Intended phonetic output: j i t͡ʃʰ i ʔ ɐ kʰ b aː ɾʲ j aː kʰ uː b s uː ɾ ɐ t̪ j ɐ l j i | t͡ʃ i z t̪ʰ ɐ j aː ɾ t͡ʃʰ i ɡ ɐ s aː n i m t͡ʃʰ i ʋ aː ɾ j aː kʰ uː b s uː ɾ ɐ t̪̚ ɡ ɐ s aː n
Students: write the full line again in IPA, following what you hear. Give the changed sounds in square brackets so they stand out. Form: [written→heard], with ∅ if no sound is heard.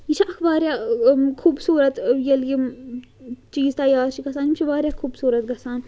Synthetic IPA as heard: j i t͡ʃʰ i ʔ ɐ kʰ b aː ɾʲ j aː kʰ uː b s uː ɾ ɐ t̪ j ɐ l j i | t͡ʃ [i→iː] z [t̪ʰ→t̪] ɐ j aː ɾ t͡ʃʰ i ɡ ɐ s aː n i m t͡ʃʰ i ʋ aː ɾ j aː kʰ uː b s uː ɾ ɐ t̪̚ ɡ ɐ s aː n